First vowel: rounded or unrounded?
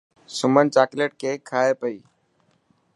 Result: rounded